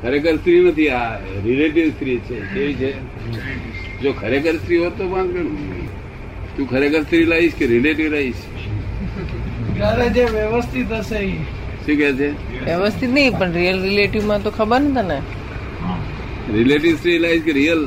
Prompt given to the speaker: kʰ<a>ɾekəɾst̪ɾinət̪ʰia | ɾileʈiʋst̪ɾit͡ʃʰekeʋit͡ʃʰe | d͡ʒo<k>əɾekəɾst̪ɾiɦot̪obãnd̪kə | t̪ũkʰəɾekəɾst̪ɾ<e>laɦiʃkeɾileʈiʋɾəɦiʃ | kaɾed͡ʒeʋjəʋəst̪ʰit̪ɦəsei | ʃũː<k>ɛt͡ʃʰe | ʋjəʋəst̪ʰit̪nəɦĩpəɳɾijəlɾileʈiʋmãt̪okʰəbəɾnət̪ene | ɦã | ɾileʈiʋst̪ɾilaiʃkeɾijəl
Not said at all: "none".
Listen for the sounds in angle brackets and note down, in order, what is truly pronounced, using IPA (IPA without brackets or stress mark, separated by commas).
ə, kʰ, i, k